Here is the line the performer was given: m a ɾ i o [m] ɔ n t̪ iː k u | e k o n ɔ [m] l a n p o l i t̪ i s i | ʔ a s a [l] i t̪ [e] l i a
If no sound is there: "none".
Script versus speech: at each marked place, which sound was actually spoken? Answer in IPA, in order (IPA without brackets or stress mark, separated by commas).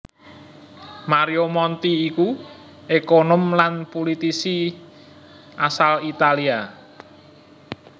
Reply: m, m, l, a